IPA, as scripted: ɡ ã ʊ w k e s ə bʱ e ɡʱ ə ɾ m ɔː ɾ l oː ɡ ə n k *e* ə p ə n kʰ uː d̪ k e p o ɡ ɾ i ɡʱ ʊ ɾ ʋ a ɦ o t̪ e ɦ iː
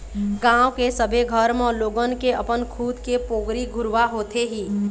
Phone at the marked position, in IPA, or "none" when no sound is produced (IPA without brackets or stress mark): e